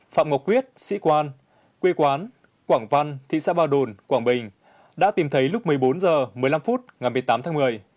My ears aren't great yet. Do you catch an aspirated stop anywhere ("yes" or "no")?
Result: yes